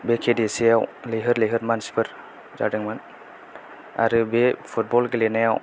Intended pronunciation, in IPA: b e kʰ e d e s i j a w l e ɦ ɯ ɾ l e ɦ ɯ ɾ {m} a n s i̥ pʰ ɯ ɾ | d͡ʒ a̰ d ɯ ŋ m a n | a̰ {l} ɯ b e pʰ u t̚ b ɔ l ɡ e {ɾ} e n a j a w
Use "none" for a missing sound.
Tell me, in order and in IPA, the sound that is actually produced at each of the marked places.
m, ɾ, l

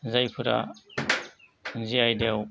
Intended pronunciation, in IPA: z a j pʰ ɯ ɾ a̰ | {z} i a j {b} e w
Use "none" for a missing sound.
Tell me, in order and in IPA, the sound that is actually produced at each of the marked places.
z, d

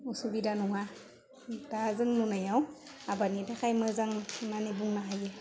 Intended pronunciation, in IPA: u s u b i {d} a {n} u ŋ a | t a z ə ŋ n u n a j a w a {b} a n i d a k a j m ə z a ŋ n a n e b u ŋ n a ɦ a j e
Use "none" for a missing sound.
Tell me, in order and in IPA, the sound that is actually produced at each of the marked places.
d, n, b

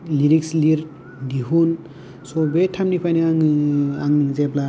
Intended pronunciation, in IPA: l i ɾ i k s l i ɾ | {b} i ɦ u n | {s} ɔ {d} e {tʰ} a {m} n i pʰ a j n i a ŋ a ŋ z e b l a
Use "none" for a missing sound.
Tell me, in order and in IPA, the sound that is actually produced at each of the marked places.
d, s, b, tʰ, m

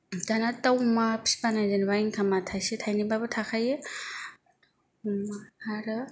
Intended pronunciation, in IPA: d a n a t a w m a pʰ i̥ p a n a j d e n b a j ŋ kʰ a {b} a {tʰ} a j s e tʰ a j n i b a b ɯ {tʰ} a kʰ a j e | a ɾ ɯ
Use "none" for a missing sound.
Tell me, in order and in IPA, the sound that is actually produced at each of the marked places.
m, tʰ, tʰ

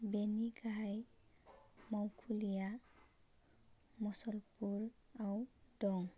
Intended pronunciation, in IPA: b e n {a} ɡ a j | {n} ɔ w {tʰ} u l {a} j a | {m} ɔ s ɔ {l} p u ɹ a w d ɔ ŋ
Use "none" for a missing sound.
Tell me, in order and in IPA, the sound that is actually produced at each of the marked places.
i, m, kʰ, i, m, l

